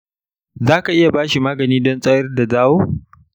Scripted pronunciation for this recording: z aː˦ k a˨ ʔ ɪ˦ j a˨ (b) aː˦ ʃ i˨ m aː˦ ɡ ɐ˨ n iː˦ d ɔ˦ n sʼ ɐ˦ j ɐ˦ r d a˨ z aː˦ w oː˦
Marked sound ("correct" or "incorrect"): correct